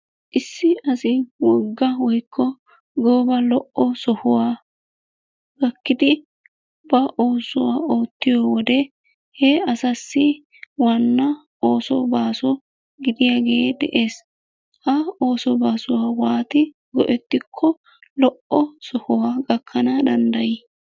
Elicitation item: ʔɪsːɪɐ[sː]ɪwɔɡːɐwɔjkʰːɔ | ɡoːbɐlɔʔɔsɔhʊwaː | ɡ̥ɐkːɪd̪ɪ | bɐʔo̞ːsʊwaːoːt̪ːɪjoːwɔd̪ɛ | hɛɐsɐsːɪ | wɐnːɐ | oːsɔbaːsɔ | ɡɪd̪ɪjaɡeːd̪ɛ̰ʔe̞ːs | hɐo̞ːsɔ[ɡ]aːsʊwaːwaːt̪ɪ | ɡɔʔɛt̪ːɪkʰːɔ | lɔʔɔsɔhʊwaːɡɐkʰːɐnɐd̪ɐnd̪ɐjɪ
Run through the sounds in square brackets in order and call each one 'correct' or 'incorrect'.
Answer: incorrect, incorrect

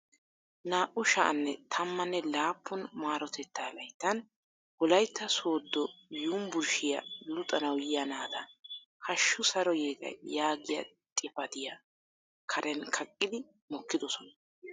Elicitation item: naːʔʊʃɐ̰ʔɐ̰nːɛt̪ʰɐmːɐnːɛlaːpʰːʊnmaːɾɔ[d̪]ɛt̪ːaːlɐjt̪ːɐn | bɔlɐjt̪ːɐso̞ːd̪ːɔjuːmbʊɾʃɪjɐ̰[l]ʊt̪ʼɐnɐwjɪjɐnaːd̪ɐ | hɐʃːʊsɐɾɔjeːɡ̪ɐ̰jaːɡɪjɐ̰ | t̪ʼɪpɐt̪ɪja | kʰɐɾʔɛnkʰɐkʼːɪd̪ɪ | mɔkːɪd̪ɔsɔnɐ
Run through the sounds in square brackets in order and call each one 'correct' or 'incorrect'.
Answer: incorrect, correct

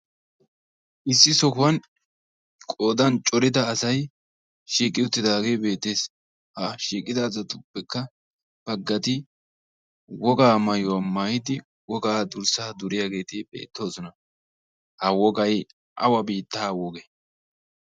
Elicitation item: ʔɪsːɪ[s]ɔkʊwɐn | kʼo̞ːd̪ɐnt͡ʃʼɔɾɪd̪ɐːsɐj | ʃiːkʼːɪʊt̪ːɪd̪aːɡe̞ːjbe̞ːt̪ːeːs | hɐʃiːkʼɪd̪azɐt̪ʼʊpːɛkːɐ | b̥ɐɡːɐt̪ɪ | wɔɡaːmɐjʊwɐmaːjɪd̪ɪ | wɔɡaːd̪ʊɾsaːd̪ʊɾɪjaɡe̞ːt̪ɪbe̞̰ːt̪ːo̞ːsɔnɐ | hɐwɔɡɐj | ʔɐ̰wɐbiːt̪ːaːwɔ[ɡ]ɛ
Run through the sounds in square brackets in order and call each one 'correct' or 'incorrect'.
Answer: correct, correct

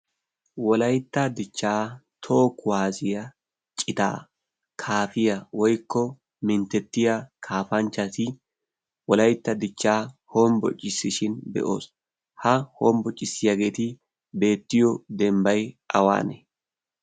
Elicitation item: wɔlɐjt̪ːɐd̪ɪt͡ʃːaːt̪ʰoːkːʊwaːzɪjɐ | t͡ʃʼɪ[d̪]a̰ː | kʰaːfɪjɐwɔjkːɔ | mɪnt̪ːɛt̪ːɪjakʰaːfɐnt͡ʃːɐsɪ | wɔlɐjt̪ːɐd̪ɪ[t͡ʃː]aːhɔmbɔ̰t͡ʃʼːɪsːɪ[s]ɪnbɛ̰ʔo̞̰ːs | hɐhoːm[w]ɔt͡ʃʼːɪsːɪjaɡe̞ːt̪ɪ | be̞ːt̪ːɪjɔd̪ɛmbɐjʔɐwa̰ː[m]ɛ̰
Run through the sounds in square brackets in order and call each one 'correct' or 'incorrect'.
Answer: incorrect, correct, incorrect, incorrect, incorrect

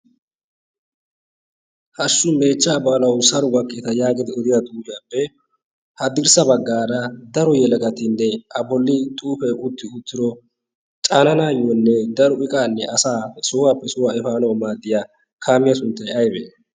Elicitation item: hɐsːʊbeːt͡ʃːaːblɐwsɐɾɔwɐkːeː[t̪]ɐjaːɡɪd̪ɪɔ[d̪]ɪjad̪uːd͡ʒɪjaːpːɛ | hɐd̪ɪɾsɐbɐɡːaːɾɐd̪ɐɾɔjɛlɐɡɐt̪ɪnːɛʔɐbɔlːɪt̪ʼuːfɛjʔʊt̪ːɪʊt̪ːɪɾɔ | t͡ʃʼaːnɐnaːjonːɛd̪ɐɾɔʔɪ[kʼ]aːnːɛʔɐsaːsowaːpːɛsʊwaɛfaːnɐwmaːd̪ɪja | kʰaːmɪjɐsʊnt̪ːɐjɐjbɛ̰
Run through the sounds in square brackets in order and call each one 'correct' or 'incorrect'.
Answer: correct, correct, correct

